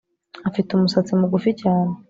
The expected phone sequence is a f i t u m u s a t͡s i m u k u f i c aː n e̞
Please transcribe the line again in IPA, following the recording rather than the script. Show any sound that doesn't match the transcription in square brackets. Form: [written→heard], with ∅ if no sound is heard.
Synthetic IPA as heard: a f i t u m u s a t͡s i m u [k→ɡ] u f i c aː n e̞